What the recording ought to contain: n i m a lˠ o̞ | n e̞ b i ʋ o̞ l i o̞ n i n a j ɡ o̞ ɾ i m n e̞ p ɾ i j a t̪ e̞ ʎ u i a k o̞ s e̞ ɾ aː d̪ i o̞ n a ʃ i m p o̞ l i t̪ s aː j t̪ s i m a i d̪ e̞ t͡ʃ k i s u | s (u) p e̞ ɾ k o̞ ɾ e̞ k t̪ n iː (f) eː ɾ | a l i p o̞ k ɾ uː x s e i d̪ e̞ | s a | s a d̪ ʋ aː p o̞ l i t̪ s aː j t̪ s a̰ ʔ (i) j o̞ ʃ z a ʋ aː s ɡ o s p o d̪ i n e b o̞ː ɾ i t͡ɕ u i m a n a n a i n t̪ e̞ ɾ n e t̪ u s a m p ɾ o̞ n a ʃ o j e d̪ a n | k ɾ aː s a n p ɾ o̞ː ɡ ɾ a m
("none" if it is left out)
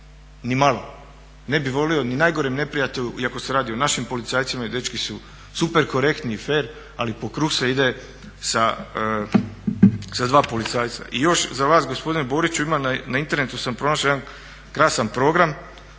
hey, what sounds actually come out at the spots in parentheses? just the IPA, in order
u, f, i

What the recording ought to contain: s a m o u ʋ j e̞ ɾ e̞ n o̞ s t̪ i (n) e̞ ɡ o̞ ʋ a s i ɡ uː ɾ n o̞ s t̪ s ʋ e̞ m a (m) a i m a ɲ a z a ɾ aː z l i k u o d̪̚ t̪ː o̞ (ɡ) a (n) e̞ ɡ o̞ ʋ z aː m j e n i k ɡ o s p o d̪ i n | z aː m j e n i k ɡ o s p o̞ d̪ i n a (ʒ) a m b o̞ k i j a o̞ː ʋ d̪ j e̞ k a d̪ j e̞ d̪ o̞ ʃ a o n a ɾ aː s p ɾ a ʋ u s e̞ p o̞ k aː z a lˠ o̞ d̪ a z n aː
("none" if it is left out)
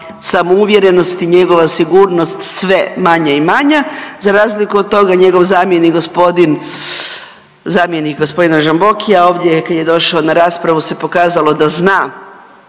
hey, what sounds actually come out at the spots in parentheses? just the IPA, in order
ɲ, ɲ, ɡ, ɲ, ʒ

